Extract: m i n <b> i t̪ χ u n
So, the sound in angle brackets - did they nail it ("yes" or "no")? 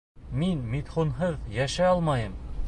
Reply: no